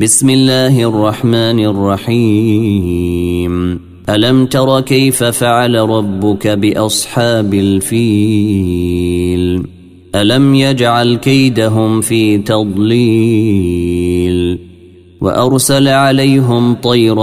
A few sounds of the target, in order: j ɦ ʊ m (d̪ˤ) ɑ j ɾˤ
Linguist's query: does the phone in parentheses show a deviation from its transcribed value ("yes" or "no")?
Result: yes